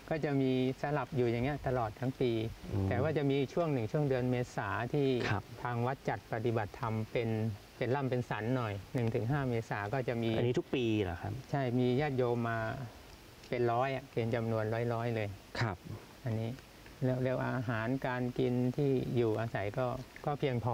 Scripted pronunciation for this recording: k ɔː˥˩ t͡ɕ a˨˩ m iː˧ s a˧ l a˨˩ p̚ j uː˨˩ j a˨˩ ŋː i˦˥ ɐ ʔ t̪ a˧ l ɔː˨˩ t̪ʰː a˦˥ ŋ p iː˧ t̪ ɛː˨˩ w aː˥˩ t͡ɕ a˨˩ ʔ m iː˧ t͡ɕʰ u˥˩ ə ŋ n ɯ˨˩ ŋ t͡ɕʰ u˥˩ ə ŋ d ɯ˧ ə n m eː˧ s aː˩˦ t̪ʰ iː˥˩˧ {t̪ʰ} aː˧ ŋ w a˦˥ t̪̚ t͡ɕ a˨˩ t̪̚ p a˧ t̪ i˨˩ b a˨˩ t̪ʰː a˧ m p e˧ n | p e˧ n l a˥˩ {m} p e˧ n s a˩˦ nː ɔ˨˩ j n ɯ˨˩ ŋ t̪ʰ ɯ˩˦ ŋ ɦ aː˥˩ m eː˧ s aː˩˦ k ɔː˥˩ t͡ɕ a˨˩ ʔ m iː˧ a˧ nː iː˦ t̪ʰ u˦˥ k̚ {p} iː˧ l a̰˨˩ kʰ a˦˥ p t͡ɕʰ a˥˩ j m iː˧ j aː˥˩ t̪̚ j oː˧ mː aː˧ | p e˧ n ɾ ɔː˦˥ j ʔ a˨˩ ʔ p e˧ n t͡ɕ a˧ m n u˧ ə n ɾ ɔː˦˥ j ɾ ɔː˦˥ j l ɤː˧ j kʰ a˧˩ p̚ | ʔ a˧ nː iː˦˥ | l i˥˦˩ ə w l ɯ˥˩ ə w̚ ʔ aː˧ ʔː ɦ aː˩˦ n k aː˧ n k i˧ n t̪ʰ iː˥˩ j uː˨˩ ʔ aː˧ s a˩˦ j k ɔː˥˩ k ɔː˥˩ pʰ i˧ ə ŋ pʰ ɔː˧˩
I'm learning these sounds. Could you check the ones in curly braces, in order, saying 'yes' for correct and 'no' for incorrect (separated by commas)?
yes, yes, yes